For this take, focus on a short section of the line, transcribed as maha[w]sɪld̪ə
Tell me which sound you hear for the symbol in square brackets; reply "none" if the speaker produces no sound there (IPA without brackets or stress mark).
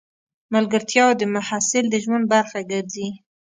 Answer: none